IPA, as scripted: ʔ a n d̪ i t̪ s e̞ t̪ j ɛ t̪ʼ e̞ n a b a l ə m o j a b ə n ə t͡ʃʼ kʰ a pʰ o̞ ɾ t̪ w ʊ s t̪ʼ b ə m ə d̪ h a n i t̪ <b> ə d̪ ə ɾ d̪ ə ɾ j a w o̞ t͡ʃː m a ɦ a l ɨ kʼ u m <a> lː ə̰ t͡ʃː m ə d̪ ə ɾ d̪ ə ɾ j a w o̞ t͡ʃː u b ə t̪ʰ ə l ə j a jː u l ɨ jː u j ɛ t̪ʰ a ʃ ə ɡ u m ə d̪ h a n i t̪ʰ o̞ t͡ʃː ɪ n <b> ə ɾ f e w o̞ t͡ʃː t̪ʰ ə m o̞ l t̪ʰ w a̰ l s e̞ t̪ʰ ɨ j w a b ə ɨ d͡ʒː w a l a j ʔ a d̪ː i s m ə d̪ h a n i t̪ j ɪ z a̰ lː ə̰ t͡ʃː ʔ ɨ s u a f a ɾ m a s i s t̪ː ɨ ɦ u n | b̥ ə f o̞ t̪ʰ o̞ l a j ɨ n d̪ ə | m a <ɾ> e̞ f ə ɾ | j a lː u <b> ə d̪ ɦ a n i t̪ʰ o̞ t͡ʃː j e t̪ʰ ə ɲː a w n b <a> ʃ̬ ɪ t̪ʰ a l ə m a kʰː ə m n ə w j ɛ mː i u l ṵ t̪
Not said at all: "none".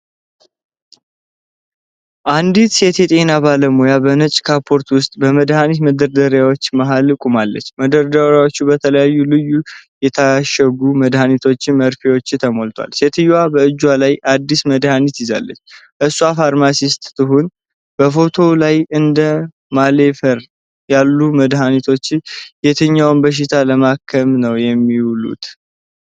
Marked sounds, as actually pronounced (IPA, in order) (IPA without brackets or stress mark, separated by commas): m, a, m, l, m, ə